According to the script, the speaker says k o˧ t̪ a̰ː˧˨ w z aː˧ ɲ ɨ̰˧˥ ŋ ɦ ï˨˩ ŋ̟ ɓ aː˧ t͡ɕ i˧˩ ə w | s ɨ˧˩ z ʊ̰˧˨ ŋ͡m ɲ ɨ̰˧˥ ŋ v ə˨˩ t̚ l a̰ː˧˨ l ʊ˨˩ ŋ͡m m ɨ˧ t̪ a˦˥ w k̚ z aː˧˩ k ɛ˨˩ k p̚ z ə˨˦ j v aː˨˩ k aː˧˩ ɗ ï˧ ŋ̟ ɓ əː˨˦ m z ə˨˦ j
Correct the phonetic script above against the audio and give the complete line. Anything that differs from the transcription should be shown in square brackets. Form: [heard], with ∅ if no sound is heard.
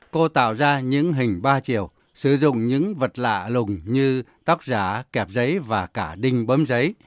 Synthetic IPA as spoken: k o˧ t̪ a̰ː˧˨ w z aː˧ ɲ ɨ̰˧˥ ŋ ɦ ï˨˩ ŋ̟ ɓ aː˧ t͡ɕ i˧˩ ə w | s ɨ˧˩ z ʊ̰˧˨ ŋ͡m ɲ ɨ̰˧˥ ŋ v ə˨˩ t̚ l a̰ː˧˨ l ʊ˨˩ ŋ͡m [ɲ] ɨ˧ t̪ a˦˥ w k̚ z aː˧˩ k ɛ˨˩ [∅] p̚ z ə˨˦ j v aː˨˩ k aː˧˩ ɗ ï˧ ŋ̟ ɓ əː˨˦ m z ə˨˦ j